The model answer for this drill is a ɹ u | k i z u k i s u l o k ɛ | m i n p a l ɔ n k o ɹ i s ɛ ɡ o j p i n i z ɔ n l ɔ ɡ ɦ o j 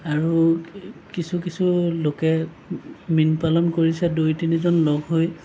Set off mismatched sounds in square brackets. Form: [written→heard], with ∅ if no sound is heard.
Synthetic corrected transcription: a ɹ u | k i [z→s] u k i s u l o k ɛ | m i n p a l ɔ n k o ɹ i s ɛ [ɡ→d] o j [p→t] i n i z ɔ n l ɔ ɡ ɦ o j